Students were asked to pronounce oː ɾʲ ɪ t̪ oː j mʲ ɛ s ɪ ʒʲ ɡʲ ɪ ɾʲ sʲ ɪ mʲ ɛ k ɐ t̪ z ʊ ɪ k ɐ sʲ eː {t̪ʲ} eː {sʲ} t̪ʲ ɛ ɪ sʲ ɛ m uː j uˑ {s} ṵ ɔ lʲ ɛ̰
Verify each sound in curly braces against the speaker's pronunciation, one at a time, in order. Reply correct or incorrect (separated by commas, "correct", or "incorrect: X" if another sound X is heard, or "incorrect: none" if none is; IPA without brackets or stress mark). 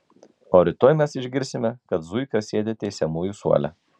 incorrect: d̪ʲ, incorrect: none, correct